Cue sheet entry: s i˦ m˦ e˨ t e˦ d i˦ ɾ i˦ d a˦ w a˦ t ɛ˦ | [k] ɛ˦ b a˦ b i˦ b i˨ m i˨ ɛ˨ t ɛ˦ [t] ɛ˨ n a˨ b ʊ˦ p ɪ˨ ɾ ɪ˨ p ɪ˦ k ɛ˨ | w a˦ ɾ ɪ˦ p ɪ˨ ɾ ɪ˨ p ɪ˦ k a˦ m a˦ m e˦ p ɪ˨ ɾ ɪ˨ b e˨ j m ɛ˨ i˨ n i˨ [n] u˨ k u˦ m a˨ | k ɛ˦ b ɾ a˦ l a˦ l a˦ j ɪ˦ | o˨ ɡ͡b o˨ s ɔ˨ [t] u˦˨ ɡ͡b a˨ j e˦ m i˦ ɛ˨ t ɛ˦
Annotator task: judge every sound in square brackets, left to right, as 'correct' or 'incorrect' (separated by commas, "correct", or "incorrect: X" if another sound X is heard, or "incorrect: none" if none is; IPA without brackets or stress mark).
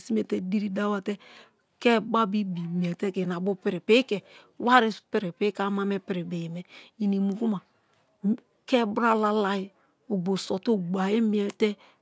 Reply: correct, incorrect: k, incorrect: m, correct